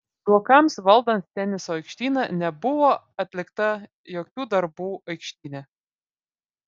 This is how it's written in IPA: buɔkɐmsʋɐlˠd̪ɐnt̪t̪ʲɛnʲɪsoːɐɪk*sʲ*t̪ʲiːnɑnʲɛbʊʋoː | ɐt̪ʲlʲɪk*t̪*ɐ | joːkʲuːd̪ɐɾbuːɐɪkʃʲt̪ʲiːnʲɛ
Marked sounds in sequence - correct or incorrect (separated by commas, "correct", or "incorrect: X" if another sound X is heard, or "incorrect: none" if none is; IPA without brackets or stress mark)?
incorrect: ʃʲ, correct